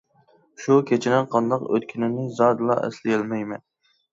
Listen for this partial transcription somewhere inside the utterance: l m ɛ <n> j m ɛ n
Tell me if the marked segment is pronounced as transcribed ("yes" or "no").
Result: no